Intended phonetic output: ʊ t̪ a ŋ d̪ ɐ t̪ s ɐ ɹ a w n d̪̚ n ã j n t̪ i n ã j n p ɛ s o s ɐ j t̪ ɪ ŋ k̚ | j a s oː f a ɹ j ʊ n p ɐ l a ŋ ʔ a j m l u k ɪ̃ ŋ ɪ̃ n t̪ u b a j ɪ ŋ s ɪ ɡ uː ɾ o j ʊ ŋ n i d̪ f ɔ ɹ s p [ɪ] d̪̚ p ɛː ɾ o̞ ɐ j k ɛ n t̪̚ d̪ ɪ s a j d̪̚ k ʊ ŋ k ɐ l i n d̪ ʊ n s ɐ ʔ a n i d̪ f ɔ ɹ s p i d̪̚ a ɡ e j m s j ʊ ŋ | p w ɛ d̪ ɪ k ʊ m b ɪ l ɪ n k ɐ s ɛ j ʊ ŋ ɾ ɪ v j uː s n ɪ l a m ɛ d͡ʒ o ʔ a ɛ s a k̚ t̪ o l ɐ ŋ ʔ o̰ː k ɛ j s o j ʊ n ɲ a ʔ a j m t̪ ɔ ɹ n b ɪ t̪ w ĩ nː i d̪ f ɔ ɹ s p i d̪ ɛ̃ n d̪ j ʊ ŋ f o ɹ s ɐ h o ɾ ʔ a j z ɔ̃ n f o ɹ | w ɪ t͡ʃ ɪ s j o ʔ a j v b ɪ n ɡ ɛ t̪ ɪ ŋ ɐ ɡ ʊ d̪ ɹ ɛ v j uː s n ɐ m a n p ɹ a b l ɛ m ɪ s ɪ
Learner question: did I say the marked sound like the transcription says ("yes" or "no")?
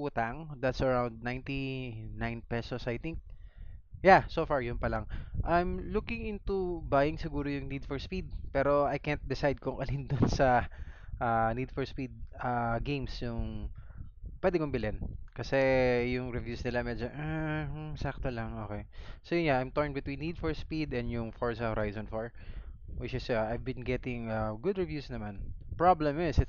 no